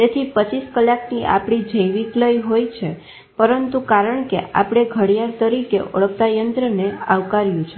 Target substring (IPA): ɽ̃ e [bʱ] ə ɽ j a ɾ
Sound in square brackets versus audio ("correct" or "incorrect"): incorrect